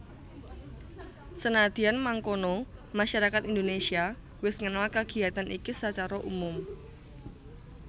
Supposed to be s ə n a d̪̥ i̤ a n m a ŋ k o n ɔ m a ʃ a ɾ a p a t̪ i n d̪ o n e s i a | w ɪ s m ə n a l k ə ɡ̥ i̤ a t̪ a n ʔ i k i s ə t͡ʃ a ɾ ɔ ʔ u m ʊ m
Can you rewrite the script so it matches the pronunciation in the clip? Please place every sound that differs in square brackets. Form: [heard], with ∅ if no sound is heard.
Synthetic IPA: s ə n a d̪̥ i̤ a n m a ŋ k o n ɔ m a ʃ a ɾ a [k] a t̪ i n d̪ o n e s i a | w ɪ s [ŋ] ə n a l k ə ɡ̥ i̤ a t̪ a n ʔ i k i s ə t͡ʃ a ɾ ɔ ʔ u m ʊ m